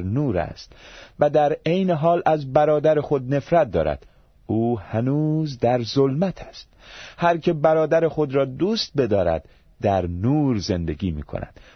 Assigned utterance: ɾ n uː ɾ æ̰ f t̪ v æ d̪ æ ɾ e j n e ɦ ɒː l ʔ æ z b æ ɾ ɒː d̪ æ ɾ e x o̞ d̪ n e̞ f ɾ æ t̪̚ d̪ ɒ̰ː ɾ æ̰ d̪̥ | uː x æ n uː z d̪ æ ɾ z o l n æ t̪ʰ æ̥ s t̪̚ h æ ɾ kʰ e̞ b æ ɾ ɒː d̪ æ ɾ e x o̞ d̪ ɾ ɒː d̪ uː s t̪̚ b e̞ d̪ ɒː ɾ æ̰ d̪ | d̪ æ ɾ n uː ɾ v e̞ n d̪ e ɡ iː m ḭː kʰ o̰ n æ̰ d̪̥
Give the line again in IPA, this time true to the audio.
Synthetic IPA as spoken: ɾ n uː ɾ æ̰ s t̪ v æ d̪ æ ɾ e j n e ɦ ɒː l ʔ æ z b æ ɾ ɒː d̪ æ ɾ e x o̞ d̪ n e̞ f ɾ æ t̪̚ d̪ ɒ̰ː ɾ æ̰ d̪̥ | uː h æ n uː z d̪ æ ɾ z o l m æ t̪ʰ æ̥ s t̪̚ h æ ɾ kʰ e̞ b æ ɾ ɒː d̪ æ ɾ e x o̞ d̪ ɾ ɒː d̪ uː s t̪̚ b e̞ d̪ ɒː ɾ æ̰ d̪ | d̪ æ ɾ n uː ɾ z e̞ n d̪ e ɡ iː m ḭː kʰ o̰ n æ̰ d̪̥